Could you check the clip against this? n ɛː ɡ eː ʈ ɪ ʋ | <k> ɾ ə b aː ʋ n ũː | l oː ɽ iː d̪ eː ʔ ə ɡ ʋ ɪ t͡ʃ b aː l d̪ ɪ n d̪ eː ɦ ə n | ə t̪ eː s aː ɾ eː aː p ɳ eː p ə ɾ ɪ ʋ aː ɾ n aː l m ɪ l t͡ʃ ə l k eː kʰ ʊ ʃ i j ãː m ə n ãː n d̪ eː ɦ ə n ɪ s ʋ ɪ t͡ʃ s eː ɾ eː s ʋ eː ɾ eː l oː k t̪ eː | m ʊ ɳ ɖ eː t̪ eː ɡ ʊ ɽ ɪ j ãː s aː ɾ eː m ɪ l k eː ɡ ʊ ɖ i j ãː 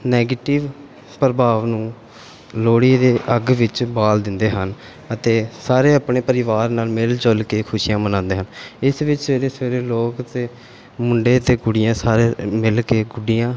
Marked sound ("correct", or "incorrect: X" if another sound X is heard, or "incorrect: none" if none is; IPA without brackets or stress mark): incorrect: p